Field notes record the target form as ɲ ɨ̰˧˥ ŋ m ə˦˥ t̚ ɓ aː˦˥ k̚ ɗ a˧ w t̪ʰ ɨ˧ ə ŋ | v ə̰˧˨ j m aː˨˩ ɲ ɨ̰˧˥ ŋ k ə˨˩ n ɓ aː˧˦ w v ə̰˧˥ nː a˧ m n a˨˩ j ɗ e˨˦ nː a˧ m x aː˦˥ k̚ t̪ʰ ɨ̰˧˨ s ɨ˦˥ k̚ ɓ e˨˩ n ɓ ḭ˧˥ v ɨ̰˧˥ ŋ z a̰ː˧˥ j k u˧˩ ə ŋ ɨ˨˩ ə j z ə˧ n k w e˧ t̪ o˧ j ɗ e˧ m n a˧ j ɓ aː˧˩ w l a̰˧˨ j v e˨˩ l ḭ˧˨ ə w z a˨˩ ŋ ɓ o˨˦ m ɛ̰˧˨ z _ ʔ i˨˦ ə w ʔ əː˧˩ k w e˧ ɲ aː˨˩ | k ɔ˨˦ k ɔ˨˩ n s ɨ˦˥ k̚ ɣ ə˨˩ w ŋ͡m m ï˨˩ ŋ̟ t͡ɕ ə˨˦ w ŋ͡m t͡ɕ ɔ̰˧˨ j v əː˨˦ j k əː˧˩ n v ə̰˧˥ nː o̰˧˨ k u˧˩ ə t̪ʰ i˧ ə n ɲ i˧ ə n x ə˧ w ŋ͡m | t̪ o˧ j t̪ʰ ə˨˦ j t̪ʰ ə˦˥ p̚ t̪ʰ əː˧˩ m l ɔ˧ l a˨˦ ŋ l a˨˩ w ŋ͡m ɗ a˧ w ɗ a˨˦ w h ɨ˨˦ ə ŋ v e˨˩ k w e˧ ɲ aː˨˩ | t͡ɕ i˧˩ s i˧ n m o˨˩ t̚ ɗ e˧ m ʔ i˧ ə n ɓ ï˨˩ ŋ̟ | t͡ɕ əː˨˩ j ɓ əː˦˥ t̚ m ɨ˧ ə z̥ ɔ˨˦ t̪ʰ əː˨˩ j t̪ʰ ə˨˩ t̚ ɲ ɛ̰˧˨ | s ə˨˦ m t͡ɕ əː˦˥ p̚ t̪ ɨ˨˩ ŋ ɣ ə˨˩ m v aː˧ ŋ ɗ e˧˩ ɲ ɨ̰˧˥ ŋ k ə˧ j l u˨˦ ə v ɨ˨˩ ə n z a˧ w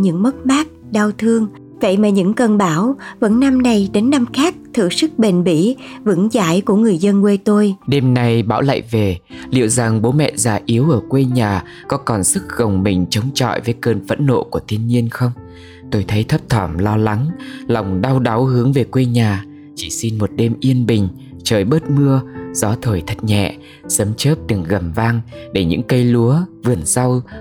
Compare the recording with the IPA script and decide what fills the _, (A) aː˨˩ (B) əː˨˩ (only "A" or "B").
A